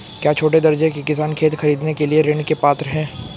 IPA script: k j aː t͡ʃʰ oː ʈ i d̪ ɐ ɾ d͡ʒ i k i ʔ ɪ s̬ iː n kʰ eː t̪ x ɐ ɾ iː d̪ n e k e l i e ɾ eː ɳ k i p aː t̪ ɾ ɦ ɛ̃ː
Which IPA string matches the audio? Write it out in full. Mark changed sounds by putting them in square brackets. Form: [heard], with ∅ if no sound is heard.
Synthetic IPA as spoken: k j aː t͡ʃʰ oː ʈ [e] d̪ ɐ ɾ d͡ʒ [e] k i [k] ɪ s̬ [aː] n kʰ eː t̪ x ɐ ɾ iː d̪ n e k e l i e ɾ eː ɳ k [e] p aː t̪ ɾ ɦ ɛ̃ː